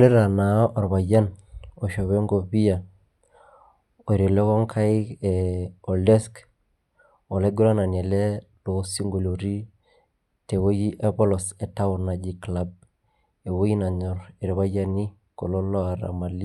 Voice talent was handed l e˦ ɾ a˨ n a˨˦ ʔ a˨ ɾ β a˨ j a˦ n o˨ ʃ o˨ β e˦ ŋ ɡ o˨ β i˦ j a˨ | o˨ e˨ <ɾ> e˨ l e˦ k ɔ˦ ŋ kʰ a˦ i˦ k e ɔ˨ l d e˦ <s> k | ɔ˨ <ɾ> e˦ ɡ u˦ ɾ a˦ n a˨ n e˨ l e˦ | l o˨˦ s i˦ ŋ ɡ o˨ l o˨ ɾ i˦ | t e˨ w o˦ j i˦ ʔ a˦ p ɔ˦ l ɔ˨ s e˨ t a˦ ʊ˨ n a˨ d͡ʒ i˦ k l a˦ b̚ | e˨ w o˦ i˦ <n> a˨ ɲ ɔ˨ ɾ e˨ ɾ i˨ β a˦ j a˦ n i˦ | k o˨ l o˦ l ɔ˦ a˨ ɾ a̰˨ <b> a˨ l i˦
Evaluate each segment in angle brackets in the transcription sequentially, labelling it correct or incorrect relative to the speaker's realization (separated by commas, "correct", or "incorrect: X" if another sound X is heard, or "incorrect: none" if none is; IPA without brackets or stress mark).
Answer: correct, correct, incorrect: l, correct, incorrect: m